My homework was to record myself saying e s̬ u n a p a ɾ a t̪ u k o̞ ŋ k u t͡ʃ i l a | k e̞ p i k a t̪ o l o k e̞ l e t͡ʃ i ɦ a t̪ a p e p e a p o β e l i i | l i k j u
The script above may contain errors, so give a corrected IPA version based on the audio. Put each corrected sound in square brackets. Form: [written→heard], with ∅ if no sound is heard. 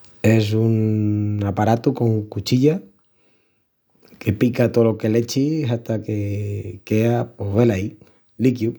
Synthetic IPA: e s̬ u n a p a ɾ a t̪ u k o̞ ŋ k u t͡ʃ i [l→ʎ] a | k e̞ p i k a t̪ o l o k e̞ l e t͡ʃ i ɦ a t̪ a [p→k] e [p→k] e a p o β e l [i→a] i | l i k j u